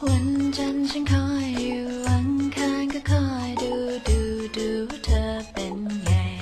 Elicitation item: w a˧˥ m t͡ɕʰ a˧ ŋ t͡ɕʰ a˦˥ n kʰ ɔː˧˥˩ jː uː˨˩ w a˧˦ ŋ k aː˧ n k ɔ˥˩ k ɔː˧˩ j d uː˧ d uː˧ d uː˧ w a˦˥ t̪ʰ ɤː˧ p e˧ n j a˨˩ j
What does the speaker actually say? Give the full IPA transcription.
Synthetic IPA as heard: w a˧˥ n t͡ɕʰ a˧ n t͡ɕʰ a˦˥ n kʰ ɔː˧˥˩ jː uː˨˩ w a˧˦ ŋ kʰ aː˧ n k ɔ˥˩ kʰ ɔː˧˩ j d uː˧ d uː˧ d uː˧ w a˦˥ t̪ʰ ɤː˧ p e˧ n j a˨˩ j

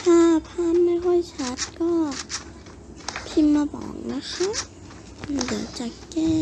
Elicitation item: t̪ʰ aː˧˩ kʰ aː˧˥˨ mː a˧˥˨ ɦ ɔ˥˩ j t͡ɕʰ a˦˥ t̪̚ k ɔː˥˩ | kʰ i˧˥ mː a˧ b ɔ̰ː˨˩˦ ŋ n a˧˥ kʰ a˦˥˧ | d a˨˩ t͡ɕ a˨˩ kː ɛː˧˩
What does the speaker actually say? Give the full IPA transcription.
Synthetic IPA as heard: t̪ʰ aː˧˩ pʰ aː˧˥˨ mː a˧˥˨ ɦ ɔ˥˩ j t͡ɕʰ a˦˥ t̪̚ k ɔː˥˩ | pʰ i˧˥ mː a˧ b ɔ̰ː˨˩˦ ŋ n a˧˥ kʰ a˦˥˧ | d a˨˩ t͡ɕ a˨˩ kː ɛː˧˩

